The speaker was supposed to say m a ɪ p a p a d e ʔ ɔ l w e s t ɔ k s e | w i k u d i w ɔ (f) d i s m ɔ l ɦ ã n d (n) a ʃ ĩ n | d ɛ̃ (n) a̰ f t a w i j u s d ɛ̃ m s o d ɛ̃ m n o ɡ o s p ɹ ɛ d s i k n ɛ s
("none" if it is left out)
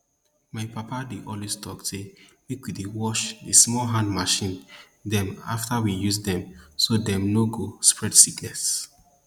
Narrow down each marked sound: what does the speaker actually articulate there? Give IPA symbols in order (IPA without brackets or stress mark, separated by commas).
ʃ, m, m